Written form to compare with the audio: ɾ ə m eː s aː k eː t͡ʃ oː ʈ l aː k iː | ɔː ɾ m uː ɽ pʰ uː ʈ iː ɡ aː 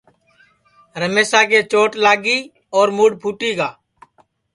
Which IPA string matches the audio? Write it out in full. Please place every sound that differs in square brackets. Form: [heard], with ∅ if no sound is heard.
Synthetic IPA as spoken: ɾ ə m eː s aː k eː t͡ʃ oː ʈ l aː [ɡ] iː | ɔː ɾ m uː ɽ pʰ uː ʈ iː ɡ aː